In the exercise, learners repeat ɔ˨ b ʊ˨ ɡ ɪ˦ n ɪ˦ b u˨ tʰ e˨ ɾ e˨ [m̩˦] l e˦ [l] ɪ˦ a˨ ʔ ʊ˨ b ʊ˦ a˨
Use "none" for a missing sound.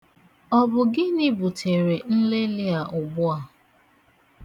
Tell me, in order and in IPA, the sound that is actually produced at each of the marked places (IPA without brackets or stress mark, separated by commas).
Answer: n̩˦, l